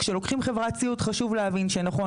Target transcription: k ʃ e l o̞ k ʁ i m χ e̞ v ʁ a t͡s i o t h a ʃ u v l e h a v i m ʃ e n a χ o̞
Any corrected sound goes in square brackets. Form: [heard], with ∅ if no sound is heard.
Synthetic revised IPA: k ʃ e l o̞ k [χ] i m χ e̞ v ʁ a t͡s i [u] t [χ] a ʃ u v l e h a v i [n] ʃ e n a χ o̞